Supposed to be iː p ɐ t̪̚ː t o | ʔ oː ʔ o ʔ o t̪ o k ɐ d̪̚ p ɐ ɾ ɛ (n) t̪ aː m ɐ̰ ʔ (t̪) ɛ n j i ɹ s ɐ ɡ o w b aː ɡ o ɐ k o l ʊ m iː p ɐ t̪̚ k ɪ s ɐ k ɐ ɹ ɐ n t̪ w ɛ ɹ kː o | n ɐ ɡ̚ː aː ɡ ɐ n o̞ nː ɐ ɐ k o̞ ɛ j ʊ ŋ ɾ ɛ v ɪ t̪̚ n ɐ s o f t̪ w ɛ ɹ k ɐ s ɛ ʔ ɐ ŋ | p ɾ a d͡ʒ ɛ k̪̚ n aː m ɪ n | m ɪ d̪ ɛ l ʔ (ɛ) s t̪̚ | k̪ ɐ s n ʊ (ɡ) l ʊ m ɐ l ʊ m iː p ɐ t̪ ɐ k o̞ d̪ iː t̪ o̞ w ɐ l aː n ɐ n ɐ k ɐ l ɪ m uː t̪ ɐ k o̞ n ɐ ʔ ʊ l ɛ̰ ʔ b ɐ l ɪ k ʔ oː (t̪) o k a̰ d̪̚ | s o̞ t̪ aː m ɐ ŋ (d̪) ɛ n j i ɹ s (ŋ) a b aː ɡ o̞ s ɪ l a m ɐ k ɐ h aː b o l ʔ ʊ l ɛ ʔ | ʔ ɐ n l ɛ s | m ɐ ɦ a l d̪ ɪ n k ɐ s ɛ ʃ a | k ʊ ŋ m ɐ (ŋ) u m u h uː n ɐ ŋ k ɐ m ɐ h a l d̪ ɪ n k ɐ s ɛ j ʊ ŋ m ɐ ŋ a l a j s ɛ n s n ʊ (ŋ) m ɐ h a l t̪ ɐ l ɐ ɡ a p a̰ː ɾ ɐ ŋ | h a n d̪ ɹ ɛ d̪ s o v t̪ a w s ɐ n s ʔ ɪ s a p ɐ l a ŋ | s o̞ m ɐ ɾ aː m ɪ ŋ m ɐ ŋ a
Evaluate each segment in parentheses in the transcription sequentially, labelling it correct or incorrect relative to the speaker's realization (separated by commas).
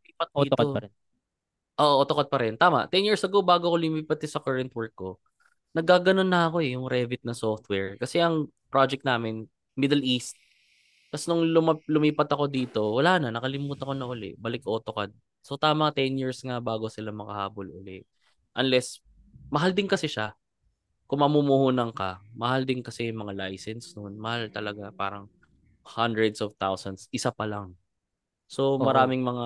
correct, correct, incorrect, incorrect, correct, incorrect, correct, incorrect, incorrect